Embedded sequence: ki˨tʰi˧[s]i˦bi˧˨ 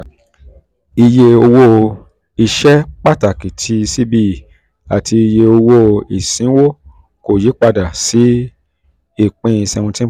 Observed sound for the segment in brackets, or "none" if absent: s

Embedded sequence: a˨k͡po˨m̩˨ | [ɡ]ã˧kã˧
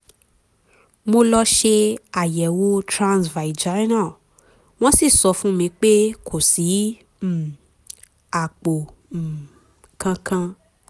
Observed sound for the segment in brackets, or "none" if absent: k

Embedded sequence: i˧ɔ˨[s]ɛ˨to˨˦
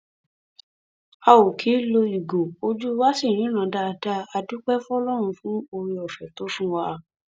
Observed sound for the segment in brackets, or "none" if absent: f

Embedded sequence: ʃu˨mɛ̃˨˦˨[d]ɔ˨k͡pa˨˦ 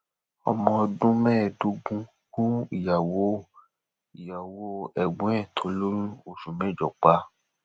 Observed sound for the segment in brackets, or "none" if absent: d͡ʒ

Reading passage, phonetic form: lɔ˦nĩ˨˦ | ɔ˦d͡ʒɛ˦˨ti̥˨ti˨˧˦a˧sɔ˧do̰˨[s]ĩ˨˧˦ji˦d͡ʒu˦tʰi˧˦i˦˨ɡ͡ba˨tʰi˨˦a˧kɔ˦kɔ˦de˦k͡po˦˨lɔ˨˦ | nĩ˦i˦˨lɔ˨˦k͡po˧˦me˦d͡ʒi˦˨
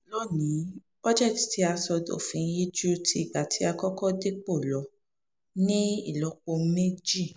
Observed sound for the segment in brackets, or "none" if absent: f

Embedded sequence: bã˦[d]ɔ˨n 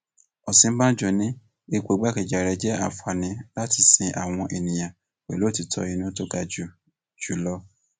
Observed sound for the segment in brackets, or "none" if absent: d͡ʒ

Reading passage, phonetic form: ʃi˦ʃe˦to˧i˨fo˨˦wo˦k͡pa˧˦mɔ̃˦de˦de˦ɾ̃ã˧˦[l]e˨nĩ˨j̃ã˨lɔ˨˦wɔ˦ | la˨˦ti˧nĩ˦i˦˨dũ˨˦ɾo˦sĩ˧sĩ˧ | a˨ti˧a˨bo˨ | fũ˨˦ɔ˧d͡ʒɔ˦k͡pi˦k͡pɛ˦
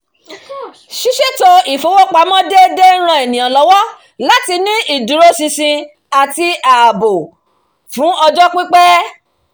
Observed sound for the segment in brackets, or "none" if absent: none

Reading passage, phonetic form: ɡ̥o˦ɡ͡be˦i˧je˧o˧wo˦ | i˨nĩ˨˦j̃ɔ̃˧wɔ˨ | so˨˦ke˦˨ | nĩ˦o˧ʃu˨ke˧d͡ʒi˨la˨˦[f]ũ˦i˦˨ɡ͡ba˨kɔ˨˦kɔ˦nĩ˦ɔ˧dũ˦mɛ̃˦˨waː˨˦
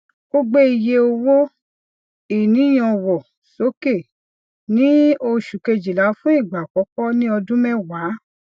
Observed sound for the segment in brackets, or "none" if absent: f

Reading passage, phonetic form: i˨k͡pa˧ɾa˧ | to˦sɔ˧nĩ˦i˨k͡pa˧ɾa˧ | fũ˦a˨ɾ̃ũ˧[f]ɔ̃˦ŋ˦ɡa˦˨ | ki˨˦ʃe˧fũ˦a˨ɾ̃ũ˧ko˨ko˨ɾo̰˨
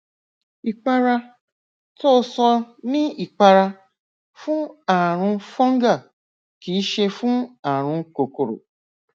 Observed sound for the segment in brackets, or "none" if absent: f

